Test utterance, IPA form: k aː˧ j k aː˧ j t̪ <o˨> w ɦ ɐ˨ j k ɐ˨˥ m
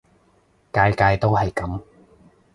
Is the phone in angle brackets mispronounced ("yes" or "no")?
yes